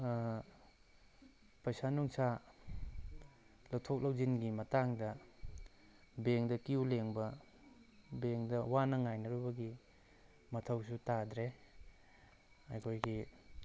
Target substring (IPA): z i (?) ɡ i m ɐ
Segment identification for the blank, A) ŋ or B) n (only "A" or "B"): B